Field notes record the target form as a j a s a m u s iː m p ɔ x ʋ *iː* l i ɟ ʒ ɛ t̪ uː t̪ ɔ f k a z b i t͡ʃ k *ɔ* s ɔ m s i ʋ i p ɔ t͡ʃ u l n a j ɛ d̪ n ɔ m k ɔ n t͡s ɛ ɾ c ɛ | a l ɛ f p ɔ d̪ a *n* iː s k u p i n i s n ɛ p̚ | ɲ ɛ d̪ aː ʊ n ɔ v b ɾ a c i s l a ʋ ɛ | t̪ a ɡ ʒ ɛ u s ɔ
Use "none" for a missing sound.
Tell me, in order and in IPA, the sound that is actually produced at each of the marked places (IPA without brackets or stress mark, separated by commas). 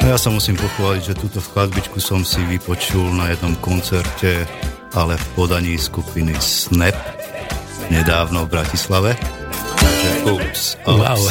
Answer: aː, u, ɲ